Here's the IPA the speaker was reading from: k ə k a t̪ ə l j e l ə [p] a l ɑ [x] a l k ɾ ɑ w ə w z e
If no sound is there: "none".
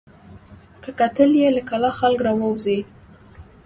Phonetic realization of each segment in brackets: k, x

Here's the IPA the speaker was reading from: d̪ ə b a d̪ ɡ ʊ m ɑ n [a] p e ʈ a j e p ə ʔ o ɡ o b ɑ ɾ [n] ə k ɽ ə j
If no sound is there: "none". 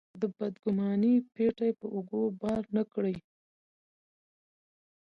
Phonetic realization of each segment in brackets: i, n

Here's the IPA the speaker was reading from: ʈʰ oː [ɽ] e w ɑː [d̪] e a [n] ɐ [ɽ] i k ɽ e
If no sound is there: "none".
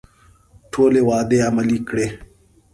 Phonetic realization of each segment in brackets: l, d̪, m, l

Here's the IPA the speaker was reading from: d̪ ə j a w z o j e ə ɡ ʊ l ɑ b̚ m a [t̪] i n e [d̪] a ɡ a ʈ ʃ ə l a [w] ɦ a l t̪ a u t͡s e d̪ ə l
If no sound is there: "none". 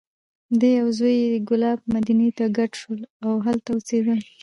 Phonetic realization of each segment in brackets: d̪, t̪, w

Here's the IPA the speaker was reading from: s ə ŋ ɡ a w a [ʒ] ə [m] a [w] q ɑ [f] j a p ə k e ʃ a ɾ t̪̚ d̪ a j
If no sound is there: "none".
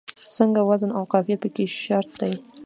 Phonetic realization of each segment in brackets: z, n, w, f

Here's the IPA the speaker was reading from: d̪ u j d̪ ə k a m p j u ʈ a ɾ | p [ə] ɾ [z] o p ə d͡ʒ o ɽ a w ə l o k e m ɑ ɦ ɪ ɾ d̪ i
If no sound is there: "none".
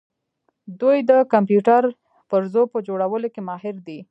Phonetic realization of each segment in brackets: ə, z

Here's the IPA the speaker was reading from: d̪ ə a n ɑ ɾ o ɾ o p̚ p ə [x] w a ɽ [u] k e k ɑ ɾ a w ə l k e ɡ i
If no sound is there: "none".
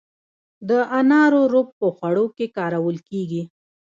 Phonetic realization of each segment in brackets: x, o

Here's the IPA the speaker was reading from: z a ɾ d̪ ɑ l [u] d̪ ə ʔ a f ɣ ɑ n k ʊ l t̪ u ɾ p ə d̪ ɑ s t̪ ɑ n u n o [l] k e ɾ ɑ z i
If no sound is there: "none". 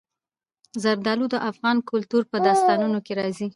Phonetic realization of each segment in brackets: u, none

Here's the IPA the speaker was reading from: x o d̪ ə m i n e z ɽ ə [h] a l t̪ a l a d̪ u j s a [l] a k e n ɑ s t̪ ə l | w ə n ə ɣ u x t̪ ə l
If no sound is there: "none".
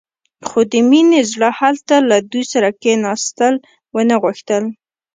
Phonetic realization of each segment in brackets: h, ɾ

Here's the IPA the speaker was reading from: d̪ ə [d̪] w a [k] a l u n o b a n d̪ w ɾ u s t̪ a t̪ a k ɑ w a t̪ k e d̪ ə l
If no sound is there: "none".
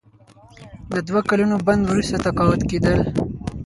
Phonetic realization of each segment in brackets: d̪, k

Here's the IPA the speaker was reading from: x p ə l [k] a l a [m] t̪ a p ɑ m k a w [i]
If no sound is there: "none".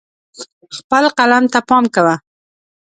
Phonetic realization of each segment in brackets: q, m, a

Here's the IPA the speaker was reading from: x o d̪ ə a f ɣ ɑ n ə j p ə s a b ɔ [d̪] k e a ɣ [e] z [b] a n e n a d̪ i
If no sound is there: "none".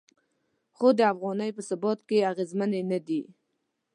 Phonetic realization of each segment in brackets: t̪, e, m

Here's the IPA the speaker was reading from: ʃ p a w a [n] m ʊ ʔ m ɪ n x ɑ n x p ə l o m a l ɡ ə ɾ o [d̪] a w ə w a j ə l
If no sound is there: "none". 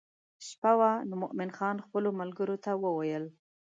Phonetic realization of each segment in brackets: n, t̪

